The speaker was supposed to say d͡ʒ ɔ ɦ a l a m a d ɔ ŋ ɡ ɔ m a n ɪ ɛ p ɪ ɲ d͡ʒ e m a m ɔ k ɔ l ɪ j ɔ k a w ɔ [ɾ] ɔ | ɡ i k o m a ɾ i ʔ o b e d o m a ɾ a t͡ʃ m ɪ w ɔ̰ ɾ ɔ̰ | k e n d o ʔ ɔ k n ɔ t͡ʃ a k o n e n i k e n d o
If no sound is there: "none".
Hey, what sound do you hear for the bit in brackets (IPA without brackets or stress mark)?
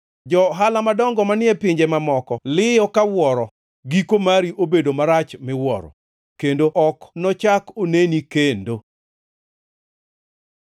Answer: ɾ